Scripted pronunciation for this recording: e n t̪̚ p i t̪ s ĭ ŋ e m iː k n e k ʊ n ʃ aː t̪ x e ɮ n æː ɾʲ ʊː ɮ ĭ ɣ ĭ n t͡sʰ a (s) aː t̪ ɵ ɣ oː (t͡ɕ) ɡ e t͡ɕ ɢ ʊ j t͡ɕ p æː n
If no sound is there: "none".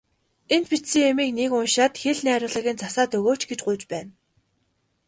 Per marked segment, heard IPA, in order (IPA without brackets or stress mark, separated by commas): s, t͡ɕ